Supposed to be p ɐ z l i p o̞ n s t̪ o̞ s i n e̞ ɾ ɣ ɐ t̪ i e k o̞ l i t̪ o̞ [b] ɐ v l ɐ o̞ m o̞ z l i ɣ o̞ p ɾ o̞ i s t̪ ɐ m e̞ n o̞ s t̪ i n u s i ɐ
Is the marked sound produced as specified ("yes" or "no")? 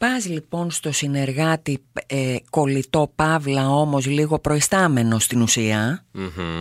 no